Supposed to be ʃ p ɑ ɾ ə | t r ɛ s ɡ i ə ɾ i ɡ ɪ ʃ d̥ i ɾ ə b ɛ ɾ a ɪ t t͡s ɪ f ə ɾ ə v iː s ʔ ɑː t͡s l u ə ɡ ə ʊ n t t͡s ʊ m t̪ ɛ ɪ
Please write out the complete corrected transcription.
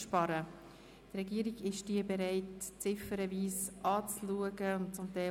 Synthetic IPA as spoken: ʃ p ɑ ɾ ə | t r ɛ ɡ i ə ɾ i ɡ ɪ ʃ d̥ i ə b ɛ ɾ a ɪ t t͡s ɪ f ə ɾ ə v iː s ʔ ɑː t͡s l u ə ɡ ə ʊ n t t͡s ʊ m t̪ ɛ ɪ